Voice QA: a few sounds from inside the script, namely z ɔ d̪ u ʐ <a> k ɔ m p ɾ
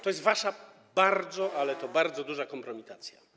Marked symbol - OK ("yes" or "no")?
yes